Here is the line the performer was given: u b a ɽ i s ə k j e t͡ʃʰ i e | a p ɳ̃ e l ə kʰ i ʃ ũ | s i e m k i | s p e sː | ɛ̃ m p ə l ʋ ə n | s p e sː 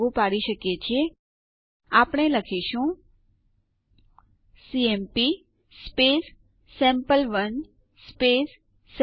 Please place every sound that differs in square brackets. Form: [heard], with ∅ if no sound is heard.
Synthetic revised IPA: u [p] a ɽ i [ʃ] ə k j e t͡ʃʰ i e | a p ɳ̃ e l ə kʰ i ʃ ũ | s i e m [p] i | s p e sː | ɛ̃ m p ə l ʋ ə n | s p e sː

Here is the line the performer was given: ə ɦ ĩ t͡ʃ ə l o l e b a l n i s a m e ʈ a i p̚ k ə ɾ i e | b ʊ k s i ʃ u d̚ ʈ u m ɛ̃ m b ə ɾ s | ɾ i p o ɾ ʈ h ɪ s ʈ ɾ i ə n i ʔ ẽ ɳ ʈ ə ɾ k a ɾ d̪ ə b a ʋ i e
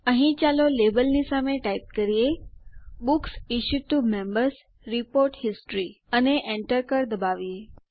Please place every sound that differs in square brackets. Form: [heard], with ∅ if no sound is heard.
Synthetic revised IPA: ə ɦ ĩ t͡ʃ [a] l o l e b [ə] l n i s a m e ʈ a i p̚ k ə ɾ i e | b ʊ k s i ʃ u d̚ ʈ u m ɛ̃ m b ə ɾ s | ɾ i p o ɾ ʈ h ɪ s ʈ ɾ i ə n [e] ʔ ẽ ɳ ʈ ə ɾ k [ə] ɾ d̪ ə b a ʋ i e

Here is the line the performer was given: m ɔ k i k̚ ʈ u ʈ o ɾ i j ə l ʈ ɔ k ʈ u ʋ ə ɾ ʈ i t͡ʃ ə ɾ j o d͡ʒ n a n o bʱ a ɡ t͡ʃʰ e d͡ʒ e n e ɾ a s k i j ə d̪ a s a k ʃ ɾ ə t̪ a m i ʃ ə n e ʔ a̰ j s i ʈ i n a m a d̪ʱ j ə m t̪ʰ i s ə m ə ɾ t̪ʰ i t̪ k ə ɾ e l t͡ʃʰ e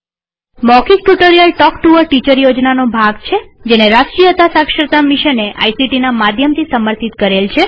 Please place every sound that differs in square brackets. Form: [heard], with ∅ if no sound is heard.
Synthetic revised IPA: m ɔ k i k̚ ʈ u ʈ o ɾ i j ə l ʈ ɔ k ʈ u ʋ ə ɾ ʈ i t͡ʃ ə ɾ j o d͡ʒ n a n o bʱ a ɡ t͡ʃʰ e d͡ʒ e n e ɾ a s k i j ə [t̪] a s a k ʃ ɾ ə t̪ a m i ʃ ə n e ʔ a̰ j s i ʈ i n a m a d̪ʱ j ə m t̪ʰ i s ə m ə ɾ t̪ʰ i t̪ k ə ɾ e l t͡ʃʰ e

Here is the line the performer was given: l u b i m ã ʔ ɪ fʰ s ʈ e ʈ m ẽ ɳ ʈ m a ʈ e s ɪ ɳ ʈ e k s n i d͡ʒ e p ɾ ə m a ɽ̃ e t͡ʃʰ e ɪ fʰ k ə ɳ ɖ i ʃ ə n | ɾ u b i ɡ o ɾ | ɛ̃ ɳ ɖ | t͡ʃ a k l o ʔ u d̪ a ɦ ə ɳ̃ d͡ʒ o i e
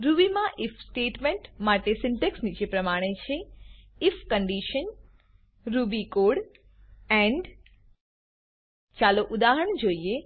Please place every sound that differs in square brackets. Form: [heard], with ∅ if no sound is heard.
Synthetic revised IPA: [ɾ] u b i m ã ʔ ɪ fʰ s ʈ e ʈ m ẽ ɳ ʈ m a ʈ e s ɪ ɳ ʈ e k s n i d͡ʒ e p ɾ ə m a ɽ̃ e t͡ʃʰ e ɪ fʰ k ə ɳ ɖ i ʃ ə n | ɾ u b i [k] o [ɽ] | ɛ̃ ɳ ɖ | t͡ʃ a [∅] l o ʔ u d̪ a ɦ ə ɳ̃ d͡ʒ o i e

